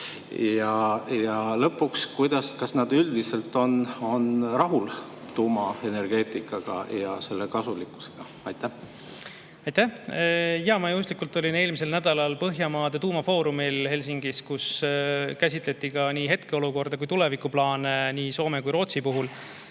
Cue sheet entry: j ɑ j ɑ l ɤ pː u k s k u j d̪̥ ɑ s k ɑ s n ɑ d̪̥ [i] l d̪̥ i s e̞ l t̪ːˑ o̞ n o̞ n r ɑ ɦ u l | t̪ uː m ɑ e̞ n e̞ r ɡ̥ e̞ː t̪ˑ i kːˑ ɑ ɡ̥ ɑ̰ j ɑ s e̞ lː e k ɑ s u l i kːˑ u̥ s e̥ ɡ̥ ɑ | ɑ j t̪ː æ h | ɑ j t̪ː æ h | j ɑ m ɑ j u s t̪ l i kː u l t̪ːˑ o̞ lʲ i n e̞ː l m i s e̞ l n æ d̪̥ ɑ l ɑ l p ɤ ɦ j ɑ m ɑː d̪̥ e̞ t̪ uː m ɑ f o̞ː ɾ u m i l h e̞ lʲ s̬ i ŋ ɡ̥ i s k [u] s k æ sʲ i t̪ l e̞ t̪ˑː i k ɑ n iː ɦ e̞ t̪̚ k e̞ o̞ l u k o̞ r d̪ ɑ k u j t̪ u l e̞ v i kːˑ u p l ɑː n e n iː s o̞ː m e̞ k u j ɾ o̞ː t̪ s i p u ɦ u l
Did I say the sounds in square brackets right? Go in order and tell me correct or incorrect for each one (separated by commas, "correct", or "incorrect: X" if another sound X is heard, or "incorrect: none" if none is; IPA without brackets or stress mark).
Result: incorrect: y, correct